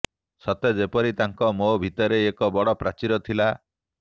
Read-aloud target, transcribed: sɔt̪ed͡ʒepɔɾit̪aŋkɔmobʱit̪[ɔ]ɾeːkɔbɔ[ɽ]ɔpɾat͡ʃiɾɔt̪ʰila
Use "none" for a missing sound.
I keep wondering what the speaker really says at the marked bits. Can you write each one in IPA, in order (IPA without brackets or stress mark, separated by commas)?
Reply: ɔ, ɽ